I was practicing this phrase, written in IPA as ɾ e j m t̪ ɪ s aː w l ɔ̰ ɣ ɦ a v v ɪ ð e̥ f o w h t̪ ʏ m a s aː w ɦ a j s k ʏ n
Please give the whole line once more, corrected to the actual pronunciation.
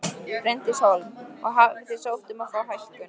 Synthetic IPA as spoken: ɾ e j n t̪ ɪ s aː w l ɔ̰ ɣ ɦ a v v ɪ θ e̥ s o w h t̪ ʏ m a f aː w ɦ a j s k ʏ n

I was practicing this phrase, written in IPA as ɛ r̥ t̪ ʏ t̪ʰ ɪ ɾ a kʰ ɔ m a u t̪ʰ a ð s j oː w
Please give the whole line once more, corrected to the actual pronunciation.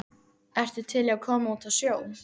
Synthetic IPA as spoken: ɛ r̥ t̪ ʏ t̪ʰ ɪ l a kʰ ɔː m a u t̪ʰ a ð s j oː w

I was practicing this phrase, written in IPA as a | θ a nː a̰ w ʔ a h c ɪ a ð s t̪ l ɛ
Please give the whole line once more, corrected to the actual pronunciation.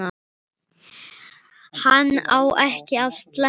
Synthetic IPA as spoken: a | h a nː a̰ w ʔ ɛ h c ɪ a ð s t̪ l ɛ

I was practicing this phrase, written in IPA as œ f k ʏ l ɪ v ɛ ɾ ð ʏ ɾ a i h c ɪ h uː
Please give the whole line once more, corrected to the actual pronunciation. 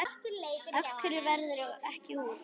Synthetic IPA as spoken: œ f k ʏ ɾ ɪ v ɛ ɾ ð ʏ ɾ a ɛ h c ɪ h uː

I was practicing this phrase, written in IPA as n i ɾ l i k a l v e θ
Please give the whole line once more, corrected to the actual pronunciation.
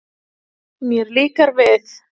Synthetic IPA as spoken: m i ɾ l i k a ɾ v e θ

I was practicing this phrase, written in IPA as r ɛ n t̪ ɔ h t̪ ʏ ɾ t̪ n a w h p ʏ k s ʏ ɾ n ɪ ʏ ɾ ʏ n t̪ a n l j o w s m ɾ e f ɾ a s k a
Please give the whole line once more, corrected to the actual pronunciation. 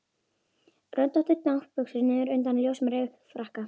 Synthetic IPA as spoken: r œ n t̪ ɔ h t̪ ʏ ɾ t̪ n a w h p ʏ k s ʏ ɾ n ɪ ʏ ɾ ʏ n t̪ a n l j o w s m ɾ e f ɾ a h k a

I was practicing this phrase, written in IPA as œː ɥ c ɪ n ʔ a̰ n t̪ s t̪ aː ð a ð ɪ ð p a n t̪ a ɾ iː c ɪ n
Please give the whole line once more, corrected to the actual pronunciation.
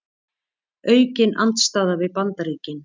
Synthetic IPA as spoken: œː ɥ c ɪ n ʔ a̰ n t̪ s t̪ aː ð a v ɪ ð p a n t̪ a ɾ iː c ɪ n

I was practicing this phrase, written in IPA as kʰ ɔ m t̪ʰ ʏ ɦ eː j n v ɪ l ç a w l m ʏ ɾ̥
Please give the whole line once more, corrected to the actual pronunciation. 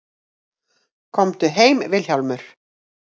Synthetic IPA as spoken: kʰ ɔ m t̪ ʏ ɦ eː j m v ɪ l ç a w l m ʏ ɾ̥

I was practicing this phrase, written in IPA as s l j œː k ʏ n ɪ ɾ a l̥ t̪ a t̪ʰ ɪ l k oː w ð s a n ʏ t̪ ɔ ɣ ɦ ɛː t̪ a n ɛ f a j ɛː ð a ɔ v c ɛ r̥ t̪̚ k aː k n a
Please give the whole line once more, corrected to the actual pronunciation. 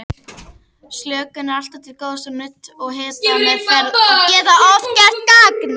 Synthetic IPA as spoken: s l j œː k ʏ n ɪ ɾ a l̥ t̪ a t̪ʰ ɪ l k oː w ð s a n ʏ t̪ ɔ ɣ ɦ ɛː t̪ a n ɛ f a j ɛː ð a ɔ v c ɛ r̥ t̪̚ k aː k n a

